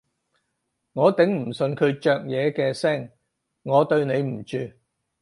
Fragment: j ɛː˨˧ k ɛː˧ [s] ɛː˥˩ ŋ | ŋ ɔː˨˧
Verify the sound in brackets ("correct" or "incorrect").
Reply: correct